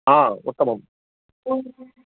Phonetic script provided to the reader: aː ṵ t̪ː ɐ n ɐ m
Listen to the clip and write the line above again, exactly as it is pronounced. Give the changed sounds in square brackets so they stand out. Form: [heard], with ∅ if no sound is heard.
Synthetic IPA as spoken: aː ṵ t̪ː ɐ [m] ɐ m